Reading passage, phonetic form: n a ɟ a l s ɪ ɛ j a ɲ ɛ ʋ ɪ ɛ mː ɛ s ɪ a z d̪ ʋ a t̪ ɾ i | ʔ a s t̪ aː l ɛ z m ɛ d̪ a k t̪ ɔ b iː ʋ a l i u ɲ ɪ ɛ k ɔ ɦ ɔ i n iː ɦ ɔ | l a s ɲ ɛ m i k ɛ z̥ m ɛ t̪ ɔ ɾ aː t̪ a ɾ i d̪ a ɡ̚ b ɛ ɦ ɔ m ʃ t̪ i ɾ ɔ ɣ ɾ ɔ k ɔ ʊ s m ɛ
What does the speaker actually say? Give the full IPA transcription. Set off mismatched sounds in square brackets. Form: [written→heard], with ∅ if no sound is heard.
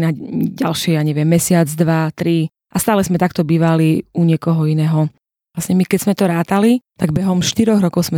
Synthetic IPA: n a ɟ a l [s→ʃ] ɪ ɛ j a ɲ ɛ ʋ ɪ ɛ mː ɛ s ɪ a [z→d͡z] d̪ ʋ a t̪ ɾ i | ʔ a s t̪ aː l ɛ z m ɛ [d̪→t̪] a k t̪ ɔ b iː ʋ a l i u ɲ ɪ ɛ k ɔ ɦ ɔ i n [iː→ɛː] ɦ ɔ | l a s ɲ ɛ m i k ɛ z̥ m ɛ t̪ ɔ ɾ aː t̪ a [ɾ→l] i [d̪→t̪] a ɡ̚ b ɛ ɦ ɔ m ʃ t̪ i ɾ ɔ ɣ ɾ ɔ k ɔ ʊ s m ɛ